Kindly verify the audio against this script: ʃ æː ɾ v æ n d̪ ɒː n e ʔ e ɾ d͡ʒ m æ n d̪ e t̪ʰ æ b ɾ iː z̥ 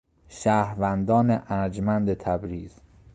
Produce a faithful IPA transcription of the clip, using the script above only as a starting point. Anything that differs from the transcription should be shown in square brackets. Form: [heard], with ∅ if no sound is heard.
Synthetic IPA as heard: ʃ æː ɾ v æ n d̪ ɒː n e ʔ [æ] ɾ d͡ʒ m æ n d̪ e t̪ʰ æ b ɾ iː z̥